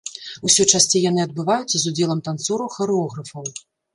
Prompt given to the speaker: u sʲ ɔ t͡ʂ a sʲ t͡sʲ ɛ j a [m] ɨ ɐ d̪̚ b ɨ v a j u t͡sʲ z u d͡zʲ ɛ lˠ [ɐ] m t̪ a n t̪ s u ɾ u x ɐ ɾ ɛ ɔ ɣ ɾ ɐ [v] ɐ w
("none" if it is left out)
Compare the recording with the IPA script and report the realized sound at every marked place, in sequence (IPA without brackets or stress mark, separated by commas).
n, ɐ, f